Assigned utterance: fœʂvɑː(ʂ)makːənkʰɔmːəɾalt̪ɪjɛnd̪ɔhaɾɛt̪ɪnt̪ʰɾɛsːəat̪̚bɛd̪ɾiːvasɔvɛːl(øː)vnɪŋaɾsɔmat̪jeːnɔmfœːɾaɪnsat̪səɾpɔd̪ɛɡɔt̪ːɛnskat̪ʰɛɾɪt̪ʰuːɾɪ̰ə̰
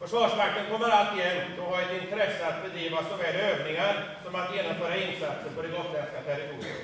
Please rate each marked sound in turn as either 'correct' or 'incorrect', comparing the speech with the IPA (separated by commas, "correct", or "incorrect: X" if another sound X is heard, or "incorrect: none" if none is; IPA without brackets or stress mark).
correct, correct